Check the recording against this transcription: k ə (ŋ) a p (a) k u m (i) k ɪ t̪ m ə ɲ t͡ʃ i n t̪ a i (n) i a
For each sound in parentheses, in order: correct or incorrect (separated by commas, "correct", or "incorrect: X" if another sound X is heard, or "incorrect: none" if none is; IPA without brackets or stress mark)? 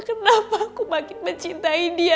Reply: incorrect: n, correct, incorrect: a, incorrect: d